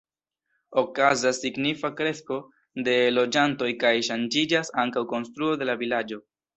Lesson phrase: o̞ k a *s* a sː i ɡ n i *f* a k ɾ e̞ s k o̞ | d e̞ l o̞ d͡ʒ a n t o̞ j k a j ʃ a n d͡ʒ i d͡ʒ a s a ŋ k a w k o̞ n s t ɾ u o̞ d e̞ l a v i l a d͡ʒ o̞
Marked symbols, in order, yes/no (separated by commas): no, yes